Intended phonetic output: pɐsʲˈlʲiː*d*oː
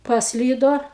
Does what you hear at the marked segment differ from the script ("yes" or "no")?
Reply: no